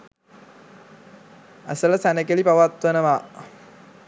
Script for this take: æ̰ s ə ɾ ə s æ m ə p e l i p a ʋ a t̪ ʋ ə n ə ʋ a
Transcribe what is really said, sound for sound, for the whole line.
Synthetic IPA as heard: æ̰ s ə l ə s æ n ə k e l i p a ʋ a t̪ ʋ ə n ə ʋ a